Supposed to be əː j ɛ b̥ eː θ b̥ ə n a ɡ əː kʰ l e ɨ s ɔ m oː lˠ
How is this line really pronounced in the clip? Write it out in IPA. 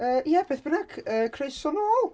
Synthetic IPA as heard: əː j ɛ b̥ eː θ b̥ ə n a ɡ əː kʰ r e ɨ s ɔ n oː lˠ